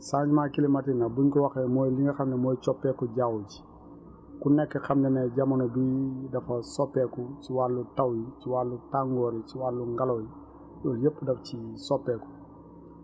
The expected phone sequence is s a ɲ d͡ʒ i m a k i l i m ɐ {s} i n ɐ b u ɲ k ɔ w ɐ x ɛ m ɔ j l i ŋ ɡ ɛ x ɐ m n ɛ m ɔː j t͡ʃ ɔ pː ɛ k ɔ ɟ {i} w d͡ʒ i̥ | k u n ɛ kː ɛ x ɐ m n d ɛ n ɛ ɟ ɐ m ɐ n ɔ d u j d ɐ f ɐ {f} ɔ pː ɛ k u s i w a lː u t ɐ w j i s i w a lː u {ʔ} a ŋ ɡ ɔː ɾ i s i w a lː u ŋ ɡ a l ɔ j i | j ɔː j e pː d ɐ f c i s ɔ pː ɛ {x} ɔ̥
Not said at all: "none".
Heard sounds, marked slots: t, a, s, t, k

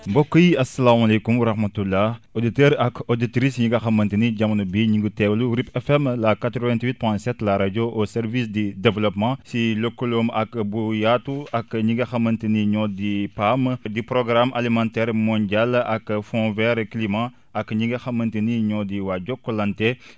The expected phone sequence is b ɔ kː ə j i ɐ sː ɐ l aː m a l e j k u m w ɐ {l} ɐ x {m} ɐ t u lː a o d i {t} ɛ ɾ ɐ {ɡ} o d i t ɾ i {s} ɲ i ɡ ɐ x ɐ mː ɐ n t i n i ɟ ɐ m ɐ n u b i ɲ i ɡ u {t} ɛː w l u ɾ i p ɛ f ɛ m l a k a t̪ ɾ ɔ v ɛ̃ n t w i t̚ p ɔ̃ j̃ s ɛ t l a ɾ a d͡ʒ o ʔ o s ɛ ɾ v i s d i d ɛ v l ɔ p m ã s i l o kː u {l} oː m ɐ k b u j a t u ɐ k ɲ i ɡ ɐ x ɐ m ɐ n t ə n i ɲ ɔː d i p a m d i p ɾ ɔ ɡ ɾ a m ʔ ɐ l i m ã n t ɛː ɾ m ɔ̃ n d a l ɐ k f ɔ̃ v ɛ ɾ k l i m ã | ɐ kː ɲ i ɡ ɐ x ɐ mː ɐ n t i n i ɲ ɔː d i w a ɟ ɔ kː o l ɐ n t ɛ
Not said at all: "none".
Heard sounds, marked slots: ɾ, m, t, k, s, t, l

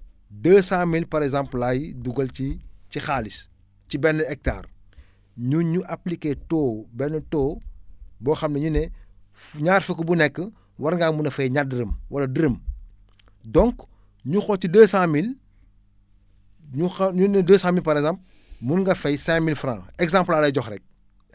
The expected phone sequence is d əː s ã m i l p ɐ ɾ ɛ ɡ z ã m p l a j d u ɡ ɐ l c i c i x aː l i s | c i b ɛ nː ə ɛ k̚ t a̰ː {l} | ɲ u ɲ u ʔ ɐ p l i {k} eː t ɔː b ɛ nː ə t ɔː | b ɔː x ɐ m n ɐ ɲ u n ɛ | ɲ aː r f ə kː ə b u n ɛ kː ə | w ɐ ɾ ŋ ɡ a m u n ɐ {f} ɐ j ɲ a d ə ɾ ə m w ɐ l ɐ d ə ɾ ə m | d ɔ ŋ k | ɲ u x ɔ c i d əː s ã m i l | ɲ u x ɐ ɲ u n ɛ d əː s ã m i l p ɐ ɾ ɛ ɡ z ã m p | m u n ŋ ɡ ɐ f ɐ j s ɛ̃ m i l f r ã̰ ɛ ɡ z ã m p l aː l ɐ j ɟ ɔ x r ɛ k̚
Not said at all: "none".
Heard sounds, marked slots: r, k, f

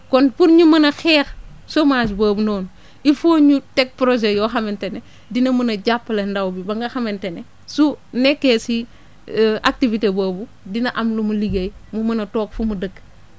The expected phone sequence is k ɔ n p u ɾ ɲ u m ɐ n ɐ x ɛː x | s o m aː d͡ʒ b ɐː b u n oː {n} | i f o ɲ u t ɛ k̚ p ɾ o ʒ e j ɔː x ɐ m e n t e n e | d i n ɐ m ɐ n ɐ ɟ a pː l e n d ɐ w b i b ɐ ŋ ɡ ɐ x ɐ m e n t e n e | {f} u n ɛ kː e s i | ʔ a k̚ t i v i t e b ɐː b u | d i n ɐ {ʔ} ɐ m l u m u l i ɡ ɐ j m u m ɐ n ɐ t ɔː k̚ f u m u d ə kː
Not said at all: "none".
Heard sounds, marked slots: n, s, ʔ

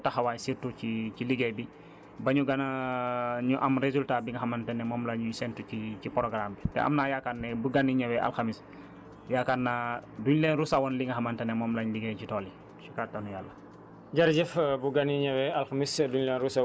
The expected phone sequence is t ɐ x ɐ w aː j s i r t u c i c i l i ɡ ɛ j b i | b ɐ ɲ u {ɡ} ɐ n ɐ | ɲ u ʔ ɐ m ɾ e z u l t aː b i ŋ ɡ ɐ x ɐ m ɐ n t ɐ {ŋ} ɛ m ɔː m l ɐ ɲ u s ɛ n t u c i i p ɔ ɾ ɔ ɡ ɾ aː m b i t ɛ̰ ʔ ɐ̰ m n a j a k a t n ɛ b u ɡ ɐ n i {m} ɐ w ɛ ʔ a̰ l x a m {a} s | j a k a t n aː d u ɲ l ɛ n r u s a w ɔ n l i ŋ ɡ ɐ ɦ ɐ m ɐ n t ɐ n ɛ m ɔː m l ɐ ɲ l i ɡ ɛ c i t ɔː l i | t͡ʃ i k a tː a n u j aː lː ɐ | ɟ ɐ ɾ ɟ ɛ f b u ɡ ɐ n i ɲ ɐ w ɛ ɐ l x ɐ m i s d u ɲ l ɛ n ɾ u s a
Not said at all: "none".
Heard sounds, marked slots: ɡ, n, ɲ, i

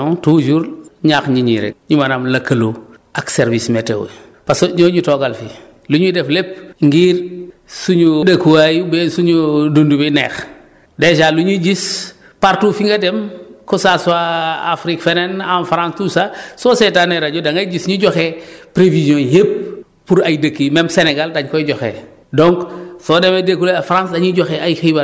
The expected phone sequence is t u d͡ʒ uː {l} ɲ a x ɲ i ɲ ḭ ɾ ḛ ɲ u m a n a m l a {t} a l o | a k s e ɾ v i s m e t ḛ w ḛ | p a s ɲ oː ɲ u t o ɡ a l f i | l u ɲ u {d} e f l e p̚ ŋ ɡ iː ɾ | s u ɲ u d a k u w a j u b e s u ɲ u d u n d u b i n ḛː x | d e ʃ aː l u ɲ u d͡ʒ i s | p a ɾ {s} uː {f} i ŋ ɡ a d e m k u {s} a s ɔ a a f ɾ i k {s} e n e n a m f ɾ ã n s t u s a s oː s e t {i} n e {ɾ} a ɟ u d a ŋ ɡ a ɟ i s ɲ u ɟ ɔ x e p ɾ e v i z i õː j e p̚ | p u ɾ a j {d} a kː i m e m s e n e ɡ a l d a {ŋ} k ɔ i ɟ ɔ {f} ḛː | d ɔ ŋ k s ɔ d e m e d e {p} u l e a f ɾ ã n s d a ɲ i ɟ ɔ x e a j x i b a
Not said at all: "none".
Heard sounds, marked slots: ɾ, k, d, t, f, s, f, a, ɾ, d, ɲ, x, k

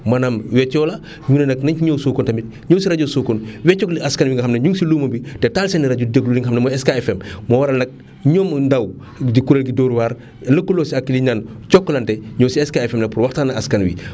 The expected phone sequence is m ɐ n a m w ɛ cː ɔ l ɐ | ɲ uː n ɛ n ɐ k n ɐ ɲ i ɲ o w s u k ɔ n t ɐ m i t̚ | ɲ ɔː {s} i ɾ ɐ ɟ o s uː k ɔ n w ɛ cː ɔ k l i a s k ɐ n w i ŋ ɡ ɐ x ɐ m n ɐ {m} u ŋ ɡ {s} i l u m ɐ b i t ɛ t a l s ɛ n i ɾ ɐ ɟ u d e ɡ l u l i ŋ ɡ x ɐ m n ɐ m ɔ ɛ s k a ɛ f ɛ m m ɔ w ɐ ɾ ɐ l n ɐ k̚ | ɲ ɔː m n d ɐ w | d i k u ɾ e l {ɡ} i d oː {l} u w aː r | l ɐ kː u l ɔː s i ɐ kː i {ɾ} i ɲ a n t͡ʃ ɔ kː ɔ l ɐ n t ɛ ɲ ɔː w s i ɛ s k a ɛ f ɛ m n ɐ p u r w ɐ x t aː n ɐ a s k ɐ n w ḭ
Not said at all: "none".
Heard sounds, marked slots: s, ɲ, s, ɡ, ɾ, l

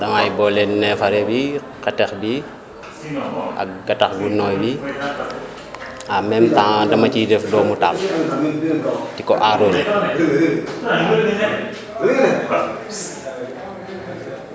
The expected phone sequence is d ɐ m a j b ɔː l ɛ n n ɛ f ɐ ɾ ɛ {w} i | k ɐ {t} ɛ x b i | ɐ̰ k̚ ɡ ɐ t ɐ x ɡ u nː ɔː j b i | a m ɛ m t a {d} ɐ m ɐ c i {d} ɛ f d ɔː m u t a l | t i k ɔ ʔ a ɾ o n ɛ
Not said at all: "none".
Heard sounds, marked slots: b, t, d, d

